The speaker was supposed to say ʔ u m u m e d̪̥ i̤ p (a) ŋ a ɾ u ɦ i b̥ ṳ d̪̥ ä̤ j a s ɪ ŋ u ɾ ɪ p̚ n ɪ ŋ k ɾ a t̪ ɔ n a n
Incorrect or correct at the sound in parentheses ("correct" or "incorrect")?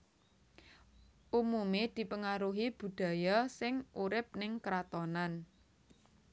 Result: incorrect